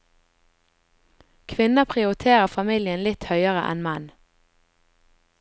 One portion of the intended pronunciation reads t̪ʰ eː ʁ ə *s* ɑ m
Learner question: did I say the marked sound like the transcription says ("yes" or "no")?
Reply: no